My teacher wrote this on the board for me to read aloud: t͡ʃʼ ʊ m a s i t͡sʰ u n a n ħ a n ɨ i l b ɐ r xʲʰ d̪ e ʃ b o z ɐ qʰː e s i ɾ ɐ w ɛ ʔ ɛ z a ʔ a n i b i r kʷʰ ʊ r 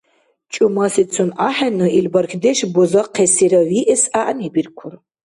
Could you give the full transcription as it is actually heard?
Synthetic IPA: t͡ʃʼ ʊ m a s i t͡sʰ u n a ħ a n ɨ i l b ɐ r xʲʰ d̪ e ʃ b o z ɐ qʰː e s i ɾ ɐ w i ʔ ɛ s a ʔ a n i b i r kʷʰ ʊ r